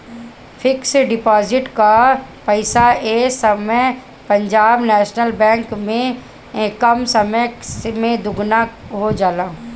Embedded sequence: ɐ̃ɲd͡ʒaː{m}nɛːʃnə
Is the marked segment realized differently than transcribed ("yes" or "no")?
yes